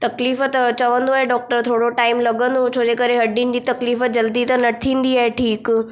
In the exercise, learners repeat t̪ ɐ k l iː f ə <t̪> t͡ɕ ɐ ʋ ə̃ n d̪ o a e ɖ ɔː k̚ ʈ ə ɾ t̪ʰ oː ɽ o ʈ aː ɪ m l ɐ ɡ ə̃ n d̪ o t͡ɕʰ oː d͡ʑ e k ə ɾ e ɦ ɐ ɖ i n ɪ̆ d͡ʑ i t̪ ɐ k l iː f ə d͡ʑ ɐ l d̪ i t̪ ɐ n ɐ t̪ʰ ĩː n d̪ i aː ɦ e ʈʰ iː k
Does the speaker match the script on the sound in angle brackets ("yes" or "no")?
yes